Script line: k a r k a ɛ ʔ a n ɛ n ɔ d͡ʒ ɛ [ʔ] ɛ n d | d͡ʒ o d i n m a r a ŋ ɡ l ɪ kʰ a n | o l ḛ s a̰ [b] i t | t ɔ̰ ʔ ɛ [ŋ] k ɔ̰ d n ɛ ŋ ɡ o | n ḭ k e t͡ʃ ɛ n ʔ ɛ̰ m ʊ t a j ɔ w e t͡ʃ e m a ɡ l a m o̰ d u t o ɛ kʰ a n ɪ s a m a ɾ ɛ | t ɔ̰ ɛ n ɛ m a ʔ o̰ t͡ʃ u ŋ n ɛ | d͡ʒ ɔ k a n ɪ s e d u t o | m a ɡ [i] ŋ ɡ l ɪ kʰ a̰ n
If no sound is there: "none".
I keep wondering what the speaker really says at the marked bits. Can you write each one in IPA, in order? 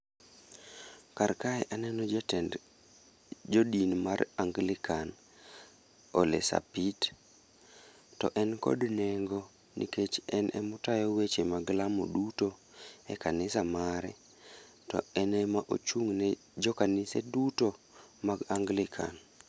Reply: t, p, n, a

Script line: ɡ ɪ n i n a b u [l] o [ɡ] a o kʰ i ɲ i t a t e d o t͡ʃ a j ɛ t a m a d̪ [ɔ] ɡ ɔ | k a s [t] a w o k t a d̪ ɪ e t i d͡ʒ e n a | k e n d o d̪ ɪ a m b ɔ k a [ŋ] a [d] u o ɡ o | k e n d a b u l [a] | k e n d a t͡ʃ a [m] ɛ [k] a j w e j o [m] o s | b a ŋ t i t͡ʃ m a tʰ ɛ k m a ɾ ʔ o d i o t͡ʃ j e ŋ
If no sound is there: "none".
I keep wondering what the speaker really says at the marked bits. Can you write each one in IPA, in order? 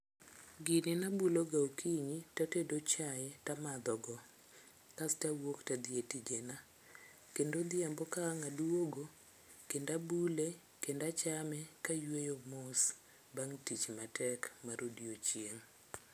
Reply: l, ɡ, ɔ, t, ŋ, d, e, m, k, m

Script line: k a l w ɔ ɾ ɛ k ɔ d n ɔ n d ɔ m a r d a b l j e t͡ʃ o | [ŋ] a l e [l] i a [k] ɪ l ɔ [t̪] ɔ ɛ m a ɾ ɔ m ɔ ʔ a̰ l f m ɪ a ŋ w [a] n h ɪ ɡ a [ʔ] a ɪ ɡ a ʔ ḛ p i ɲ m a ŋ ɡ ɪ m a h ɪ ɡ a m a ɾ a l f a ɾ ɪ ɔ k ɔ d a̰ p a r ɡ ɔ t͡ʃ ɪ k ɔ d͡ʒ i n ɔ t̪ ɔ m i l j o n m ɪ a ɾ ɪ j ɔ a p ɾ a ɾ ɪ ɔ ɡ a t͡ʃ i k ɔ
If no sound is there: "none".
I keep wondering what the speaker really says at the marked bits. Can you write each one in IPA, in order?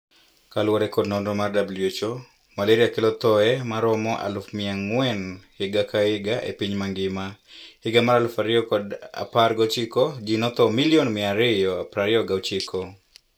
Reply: m, ɾ, k, t̪, ɛ, k

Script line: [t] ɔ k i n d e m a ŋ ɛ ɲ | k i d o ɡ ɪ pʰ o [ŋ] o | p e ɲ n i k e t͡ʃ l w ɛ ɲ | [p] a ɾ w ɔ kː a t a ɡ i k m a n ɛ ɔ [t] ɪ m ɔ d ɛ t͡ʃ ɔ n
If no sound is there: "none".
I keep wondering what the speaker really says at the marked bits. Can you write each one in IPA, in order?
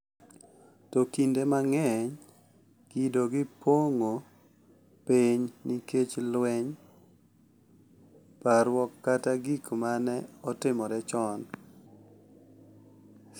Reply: t, ŋ, p, t

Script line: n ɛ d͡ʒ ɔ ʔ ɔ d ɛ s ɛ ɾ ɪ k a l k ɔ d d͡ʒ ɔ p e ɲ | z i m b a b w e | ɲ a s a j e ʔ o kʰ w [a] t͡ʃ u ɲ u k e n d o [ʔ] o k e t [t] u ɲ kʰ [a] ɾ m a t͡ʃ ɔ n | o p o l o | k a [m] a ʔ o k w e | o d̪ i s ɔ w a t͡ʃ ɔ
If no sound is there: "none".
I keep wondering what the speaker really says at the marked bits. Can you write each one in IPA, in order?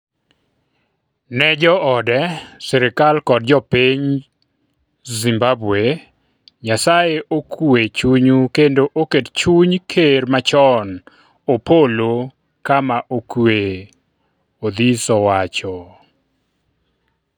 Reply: e, ʔ, t͡ʃ, e, m

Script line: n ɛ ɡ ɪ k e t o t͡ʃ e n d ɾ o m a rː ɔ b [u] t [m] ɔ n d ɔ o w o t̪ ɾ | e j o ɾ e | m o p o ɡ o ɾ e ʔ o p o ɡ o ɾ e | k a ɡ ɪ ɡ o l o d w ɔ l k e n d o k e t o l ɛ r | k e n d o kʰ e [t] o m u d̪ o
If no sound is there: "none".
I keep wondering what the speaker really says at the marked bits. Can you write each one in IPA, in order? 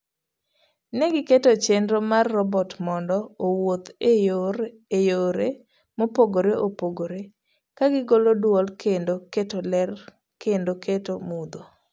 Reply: ɔ, m, t

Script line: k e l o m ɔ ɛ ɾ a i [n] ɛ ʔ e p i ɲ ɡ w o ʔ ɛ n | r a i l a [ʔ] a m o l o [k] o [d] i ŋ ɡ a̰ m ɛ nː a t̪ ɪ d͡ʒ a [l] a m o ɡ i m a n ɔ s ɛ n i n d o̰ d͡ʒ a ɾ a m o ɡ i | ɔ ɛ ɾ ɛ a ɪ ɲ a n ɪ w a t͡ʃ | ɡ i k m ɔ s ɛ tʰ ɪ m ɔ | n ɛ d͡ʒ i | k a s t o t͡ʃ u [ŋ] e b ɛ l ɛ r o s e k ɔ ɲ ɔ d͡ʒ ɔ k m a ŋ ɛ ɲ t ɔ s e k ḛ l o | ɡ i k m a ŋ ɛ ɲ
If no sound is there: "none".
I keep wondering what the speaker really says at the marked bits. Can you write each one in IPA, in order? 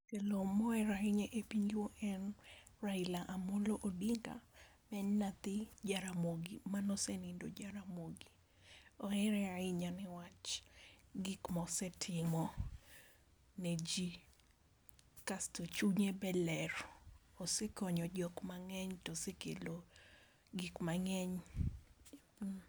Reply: ɲ, ʔ, ʔ, d, ɾ, ɲ

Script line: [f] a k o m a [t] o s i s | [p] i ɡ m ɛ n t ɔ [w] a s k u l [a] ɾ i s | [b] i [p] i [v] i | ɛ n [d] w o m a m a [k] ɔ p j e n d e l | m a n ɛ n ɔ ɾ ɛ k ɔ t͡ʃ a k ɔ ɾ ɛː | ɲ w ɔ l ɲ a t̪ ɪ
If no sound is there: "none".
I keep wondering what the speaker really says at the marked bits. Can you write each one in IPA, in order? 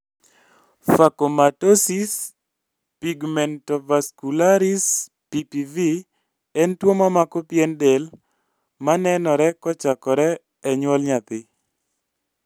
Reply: f, t, p, v, a, p, p, v, t, k

